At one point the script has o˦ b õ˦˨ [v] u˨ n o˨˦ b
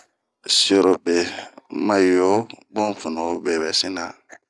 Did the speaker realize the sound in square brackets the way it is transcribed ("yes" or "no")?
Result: no